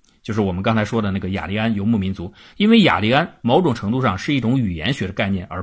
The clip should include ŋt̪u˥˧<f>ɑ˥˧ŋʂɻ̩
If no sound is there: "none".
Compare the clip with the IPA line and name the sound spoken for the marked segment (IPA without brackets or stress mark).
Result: ʂ